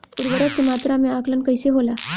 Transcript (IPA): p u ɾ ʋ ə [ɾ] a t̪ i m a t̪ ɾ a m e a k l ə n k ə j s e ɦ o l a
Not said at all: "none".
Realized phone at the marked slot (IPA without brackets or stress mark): ɾ